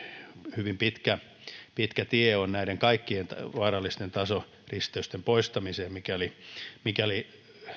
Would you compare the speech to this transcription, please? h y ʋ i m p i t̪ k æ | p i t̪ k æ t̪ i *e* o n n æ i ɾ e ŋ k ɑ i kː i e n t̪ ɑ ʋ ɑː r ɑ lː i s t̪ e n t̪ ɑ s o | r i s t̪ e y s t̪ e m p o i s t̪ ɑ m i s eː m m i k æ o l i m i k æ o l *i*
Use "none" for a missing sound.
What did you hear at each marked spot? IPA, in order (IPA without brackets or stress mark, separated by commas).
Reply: e, i